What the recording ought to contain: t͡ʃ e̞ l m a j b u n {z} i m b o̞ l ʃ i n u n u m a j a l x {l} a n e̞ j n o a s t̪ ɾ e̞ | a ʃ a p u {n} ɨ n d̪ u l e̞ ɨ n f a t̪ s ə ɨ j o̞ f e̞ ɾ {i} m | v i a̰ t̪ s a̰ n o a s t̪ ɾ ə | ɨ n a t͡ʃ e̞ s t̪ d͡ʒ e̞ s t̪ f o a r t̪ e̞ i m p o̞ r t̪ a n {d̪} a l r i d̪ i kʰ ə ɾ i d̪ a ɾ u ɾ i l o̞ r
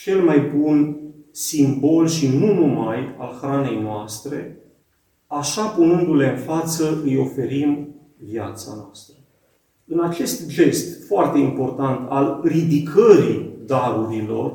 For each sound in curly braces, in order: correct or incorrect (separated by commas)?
incorrect, incorrect, correct, correct, incorrect